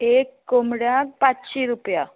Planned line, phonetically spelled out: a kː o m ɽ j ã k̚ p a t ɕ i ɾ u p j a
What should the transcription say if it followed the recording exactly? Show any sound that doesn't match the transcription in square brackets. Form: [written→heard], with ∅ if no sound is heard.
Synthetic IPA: [a→e] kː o m ɽ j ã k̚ p a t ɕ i ɾ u p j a